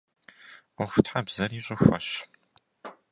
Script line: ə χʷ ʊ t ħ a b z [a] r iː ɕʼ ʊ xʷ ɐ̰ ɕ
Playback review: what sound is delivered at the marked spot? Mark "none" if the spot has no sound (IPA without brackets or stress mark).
ɐ